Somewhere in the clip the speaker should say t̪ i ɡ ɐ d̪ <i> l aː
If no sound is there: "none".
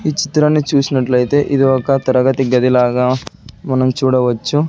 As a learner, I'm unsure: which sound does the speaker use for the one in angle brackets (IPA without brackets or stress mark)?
i